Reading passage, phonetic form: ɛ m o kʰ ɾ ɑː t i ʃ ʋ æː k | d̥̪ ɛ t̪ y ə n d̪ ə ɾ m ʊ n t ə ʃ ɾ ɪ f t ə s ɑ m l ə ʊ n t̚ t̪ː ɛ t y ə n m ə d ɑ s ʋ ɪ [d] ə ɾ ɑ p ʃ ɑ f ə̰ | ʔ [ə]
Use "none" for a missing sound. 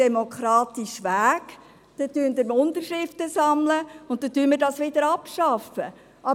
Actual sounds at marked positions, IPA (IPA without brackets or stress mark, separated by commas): d, ɑ